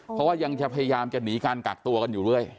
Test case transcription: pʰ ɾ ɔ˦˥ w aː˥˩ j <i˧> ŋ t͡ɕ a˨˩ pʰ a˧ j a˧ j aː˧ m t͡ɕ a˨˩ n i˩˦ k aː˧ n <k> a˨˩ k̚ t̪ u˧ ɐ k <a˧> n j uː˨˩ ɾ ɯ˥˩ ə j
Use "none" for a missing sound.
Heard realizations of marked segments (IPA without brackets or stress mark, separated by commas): a˧, k, a˧